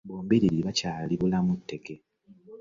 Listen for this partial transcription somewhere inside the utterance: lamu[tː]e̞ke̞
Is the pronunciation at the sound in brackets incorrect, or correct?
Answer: correct